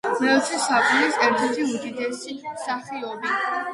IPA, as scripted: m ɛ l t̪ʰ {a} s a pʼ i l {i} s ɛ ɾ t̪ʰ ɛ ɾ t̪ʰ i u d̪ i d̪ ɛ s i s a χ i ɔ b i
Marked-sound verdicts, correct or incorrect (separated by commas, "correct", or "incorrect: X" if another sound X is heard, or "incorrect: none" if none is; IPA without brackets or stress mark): incorrect: i, correct